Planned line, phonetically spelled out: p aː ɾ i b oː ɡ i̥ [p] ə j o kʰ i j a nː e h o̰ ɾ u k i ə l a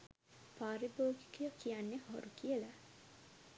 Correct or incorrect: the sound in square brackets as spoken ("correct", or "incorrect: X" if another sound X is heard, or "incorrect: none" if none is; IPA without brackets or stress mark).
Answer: incorrect: k